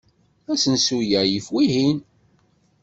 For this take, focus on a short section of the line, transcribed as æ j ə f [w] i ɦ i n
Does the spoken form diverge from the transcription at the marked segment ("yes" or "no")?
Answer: no